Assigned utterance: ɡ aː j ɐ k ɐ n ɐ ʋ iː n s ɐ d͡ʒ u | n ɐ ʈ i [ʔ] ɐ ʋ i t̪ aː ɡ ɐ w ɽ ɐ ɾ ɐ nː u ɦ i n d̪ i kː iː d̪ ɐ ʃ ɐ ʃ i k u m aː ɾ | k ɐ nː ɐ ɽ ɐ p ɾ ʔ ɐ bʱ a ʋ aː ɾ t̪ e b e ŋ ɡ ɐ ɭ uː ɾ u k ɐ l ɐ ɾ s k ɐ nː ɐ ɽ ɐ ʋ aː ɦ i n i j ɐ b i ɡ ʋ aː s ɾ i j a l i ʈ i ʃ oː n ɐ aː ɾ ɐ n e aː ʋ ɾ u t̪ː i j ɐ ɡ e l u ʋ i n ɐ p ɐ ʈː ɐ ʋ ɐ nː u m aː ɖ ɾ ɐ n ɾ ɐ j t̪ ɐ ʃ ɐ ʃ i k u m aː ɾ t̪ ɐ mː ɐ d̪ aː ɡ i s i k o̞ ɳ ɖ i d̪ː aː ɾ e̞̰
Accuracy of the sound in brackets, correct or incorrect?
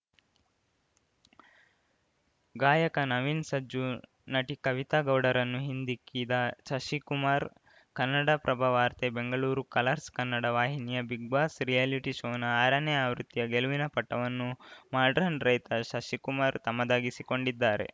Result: incorrect